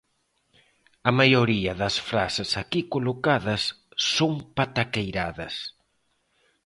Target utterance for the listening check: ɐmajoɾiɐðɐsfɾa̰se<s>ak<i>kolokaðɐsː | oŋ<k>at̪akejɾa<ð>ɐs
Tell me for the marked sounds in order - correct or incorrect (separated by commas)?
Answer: correct, correct, incorrect, correct